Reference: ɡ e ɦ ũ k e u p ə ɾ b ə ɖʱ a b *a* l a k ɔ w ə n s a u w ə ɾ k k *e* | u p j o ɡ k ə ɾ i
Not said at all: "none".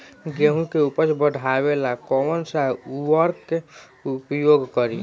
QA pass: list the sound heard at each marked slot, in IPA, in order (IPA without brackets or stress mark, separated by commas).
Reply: e, e